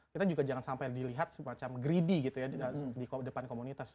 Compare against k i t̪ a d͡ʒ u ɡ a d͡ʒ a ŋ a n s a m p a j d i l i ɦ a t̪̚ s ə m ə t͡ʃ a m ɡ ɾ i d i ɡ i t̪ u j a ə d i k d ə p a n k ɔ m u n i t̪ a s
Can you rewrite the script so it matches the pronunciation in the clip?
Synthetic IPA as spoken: k i t̪ a d͡ʒ u ɡ a d͡ʒ a ŋ a n s a m p a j d i l i ɦ a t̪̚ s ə m a t͡ʃ a m ɡ ɾ i d i ɡ i t̪ u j a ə d i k d ə p a n k o m u n i t̪ a s